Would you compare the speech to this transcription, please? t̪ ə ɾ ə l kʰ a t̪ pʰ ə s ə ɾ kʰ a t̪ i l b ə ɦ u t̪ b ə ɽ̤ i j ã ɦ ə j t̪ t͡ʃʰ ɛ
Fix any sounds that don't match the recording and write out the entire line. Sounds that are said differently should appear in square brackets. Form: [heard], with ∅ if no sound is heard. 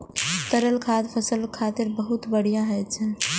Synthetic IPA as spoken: t̪ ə ɾ ə l kʰ a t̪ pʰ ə s ə [l] kʰ a t̪ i [ɾ] b ə ɦ u t̪ b ə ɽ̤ i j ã ɦ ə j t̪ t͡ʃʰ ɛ